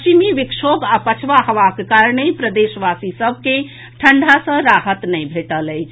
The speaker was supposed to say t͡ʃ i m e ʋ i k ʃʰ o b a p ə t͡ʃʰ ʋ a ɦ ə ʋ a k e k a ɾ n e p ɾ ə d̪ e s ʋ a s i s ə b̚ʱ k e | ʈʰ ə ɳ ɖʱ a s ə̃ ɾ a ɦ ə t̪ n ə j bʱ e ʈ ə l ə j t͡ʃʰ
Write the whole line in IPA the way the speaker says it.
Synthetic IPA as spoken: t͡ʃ i m i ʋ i k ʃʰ o b a p ə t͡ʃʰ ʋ a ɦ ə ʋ a k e k a ɾ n e p ɾ ə d̪ e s ʋ a s i s ə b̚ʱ k e | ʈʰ ə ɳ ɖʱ a s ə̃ ɾ a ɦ ə t̪ n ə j bʱ e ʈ ə l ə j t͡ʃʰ